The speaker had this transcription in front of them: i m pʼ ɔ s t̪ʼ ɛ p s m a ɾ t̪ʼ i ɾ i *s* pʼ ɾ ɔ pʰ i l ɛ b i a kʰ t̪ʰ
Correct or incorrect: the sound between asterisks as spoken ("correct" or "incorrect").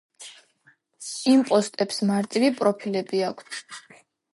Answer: incorrect